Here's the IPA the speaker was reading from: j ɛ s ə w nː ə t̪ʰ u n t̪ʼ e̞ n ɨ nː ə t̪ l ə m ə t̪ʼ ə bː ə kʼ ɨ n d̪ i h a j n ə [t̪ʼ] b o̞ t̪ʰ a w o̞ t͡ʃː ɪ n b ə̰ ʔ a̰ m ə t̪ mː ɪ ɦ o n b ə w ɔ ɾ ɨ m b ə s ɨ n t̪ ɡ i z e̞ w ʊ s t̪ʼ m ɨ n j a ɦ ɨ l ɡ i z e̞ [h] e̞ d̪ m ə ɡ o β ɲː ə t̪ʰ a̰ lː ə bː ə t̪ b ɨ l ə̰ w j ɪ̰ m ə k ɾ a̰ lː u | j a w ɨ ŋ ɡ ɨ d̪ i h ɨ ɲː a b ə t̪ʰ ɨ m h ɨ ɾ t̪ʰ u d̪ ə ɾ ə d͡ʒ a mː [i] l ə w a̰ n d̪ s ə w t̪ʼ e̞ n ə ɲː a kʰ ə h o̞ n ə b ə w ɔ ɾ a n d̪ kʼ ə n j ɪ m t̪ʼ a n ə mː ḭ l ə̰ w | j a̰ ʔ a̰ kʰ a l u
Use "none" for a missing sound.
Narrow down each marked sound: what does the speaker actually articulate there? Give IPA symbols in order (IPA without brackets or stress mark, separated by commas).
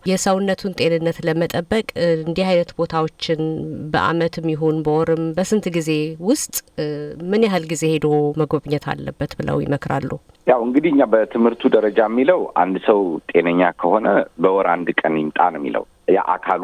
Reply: t̪, h, i